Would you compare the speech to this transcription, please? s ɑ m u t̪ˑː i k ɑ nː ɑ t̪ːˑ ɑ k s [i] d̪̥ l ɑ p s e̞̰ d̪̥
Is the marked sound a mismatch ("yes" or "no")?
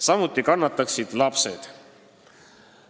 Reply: no